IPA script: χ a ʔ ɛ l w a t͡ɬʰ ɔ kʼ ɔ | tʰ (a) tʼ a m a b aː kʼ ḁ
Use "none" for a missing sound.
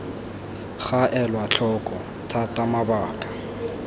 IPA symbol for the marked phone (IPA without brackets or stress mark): a